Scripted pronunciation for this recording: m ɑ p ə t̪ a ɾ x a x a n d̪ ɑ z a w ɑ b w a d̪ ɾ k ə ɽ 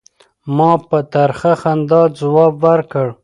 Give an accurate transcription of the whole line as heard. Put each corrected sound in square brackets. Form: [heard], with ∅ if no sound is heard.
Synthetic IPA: m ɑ p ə t̪ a ɾ x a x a n d̪ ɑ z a w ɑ b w a [∅] ɾ k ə ɽ

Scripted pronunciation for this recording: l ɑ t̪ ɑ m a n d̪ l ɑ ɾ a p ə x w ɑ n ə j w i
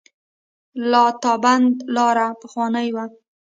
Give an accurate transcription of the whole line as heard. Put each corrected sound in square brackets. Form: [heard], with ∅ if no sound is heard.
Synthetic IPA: l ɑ t̪ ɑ [b] a n d̪ l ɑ ɾ a p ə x w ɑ n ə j w [a]

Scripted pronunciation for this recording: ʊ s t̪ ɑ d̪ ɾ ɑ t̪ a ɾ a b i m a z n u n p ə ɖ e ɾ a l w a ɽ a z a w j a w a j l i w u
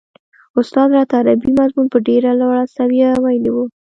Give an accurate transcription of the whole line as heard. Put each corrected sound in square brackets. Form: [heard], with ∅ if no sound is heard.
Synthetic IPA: ʊ s t̪ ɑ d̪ ɾ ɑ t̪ a ɾ a b i m a z [m] u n p ə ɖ e ɾ a l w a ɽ a [s] a w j a w a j l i w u

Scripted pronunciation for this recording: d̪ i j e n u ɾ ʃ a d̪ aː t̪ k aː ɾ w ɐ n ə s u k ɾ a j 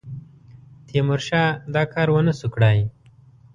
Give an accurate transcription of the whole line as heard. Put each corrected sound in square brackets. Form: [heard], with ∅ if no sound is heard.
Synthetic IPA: [t̪] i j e [m] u ɾ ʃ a d̪ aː [∅] k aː ɾ w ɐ n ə s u k [ɽ] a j

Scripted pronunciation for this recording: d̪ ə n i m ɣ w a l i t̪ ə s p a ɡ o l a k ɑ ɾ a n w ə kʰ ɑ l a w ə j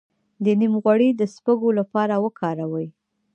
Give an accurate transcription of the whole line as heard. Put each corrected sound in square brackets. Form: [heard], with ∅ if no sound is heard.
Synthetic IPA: d̪ ə n i m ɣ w a [ɽ] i [d̪] ə s p [ə] ɡ o l a [p] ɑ ɾ a [∅] w ə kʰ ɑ [ɾ] a w ə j

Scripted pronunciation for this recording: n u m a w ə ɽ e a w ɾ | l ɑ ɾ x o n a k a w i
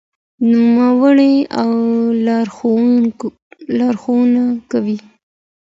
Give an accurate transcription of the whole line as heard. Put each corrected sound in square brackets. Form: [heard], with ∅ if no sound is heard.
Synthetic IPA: n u m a w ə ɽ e a w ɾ | l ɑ ɾ x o n a k a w i

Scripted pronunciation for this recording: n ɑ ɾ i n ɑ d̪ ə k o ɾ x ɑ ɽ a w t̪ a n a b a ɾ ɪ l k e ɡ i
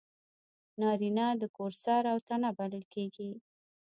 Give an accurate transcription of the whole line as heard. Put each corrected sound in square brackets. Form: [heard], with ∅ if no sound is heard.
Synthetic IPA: n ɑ ɾ i n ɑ d̪ ə k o ɾ [s] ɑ [ɾ] a w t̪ a n a b a [l] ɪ l k e ɡ i

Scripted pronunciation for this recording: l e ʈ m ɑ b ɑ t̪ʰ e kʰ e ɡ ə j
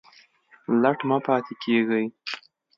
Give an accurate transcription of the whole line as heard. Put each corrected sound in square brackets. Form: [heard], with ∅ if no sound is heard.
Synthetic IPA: l [a] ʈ m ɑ [p] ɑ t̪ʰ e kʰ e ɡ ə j

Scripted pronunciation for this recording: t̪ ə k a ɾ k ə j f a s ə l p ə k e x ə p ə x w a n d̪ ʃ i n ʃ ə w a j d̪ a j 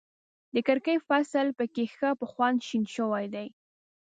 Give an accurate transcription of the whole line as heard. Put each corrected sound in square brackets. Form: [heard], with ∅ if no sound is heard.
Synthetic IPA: [d̪] ə k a ɾ k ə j f a s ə l p ə k e x ə p ə x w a n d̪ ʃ i n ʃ ə w a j d̪ a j

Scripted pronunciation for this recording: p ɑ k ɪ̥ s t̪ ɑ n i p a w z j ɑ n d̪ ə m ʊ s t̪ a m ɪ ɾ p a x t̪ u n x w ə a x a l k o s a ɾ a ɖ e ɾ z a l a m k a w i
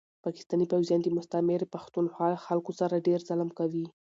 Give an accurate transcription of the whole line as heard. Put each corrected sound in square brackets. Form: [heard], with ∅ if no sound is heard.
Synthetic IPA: p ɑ k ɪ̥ s t̪ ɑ n i p a w z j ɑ n d̪ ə m ʊ s t̪ a m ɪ ɾ p a x t̪ u n x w [ɑ] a x a l k o s a ɾ a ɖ e ɾ z a l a m k a w i

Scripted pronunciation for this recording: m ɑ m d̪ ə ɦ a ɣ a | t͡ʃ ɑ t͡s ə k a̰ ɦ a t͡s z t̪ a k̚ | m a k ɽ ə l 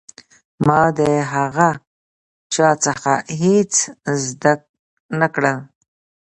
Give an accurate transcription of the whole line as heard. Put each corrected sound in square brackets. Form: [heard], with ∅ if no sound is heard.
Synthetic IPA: m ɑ [∅] d̪ ə ɦ a ɣ a | t͡ʃ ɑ t͡s ə [x] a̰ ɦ [e] t͡s z [d̪] a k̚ | [n] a k ɽ ə l

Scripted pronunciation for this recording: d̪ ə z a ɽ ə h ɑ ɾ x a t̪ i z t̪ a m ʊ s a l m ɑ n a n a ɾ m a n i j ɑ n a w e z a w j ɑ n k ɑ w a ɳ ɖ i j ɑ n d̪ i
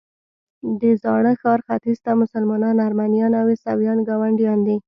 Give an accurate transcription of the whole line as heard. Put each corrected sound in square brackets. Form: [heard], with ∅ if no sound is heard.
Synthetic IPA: d̪ ə z [ɑ] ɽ ə [x] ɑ ɾ x a t̪ i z t̪ a m ʊ s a l m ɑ n [ɑ] n a ɾ m a n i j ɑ n a w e [s] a w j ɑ n [ɡ] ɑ w a ɳ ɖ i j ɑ n d̪ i

